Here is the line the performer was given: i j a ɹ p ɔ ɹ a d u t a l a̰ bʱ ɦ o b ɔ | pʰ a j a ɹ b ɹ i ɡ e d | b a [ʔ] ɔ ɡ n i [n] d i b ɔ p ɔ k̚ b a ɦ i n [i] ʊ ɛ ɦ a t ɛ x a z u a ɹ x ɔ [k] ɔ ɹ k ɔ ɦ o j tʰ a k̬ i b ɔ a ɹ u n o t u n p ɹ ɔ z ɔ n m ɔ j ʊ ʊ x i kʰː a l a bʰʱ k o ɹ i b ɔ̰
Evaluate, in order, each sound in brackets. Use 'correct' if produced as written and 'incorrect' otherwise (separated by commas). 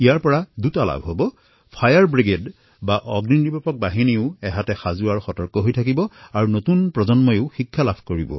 correct, correct, correct, incorrect